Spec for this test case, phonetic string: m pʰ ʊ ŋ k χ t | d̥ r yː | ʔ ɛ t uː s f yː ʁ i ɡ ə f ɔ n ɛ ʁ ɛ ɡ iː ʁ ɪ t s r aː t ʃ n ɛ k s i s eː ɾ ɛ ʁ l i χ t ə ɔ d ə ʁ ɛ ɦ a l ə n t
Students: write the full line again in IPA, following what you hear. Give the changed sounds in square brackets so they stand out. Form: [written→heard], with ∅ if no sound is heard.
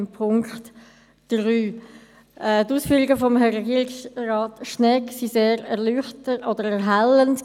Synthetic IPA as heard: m pʰ ʊ ŋ k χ t | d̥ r yː | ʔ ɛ t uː s f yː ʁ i ɡ ə f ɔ [n→m] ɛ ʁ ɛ ɡ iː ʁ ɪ [t→k] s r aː t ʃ n ɛ k s i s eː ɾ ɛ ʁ l [i→y] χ t ə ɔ d ə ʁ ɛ ɦ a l ə n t